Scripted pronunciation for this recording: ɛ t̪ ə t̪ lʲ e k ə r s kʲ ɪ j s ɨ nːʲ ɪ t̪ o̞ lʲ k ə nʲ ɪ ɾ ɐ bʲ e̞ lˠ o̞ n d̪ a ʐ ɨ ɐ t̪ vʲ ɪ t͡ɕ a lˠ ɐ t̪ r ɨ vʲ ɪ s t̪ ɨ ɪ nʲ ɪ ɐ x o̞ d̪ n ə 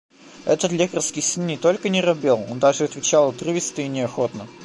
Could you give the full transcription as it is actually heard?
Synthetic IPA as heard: ɛ t̪ ə t̪ lʲ e k ə r s kʲ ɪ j s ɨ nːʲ ɪ t̪ o̞ lʲ k ə nʲ ɪ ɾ ɐ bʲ e̞ lˠ o̞ n d̪ a ʐ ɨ ɐ t̪ vʲ ɪ t͡ɕ a lˠ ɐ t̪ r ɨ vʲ ɪ s t̪ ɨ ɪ nʲ ɪ ɐ x o̞ t̪ n ə